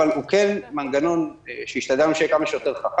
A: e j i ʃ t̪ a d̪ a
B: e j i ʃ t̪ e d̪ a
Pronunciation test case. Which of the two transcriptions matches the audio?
A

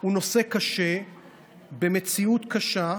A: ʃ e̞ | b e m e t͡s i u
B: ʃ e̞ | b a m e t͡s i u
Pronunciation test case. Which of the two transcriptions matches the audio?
A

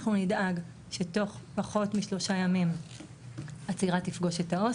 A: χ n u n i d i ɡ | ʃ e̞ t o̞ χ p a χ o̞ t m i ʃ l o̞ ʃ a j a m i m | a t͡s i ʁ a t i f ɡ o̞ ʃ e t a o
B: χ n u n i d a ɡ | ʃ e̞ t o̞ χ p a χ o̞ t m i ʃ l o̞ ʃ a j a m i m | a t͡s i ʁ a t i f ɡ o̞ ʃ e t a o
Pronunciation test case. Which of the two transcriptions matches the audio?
B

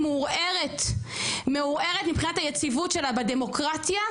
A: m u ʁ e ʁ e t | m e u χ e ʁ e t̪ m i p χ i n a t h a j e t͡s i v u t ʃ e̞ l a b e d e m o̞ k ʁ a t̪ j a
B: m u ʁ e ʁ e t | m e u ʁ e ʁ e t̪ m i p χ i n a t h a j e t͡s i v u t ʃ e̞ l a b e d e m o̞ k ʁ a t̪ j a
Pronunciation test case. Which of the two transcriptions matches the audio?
B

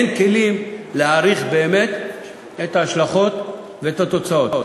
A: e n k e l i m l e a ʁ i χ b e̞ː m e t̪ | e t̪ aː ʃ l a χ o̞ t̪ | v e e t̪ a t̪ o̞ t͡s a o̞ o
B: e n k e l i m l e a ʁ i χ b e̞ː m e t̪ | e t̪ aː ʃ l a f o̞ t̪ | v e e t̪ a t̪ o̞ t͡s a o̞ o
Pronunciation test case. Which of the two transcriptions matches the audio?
A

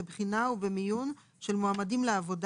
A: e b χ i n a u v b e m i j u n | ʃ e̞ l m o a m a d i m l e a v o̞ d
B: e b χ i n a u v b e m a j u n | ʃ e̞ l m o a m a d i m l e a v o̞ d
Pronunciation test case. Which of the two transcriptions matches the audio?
A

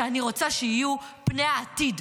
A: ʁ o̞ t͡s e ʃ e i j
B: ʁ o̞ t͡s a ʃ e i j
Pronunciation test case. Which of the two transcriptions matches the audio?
B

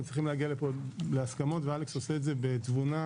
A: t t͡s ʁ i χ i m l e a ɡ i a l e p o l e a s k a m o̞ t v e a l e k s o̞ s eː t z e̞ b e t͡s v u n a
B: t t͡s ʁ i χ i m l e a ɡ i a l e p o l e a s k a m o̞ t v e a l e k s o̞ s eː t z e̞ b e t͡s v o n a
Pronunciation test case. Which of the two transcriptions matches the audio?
A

